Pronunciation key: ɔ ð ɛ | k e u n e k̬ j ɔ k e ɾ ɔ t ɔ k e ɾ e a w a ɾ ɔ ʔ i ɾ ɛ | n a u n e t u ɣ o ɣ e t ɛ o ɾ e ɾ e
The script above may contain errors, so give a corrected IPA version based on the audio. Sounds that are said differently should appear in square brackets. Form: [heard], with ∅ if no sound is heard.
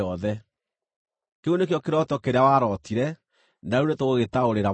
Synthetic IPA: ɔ ð ɛ | k e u n e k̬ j ɔ k e ɾ ɔ t ɔ k e ɾ e a w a ɾ ɔ [t] i ɾ ɛ | n a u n e t [o] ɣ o ɣ e t [a] o ɾ e ɾ [a]